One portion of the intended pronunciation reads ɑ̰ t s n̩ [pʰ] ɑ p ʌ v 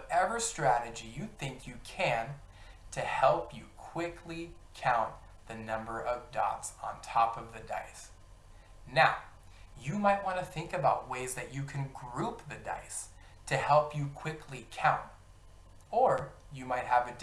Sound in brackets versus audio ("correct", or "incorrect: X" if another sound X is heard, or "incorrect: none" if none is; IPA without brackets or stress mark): incorrect: tʰ